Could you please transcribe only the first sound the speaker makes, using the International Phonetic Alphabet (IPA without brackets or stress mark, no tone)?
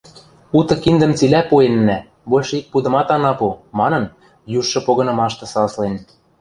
u